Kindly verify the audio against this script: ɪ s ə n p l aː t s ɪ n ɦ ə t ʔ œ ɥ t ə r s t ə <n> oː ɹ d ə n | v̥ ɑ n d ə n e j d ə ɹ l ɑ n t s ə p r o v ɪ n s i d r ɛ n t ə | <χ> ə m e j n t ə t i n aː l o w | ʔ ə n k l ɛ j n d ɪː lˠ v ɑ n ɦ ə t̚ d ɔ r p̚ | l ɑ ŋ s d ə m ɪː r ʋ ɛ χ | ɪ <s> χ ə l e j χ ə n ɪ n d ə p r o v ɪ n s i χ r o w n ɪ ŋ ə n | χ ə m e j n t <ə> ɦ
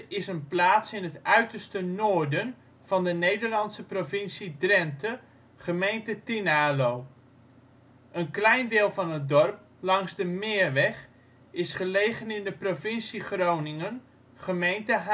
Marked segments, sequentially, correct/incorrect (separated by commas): correct, correct, correct, correct